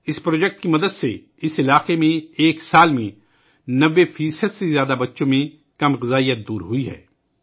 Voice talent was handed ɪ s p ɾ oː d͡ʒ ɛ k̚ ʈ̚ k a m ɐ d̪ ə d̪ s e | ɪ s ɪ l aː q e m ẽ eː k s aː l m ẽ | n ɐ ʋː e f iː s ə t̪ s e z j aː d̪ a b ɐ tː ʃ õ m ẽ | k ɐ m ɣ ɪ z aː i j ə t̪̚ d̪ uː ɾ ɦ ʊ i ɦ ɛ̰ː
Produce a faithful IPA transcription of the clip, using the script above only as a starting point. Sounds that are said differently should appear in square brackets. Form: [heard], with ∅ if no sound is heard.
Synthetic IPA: ɪ s p ɾ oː d͡ʒ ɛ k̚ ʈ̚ k [i] m ɐ d̪ ə d̪ s e | ɪ s ɪ l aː q e m ẽ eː k s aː l m ẽ | n ɐ ʋː e f iː s ə [d̪] s e z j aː d̪ a b ɐ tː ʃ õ m ẽ | k ɐ m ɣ ɪ z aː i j ə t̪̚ d̪ uː ɾ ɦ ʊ i ɦ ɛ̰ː